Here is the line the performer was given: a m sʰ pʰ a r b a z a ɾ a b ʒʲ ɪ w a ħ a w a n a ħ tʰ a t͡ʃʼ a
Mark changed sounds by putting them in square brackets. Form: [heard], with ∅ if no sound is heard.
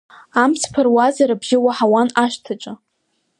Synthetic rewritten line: a m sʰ pʰ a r [w] a z a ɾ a b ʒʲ ɪ w a ħ a w a n a [ʃ] tʰ a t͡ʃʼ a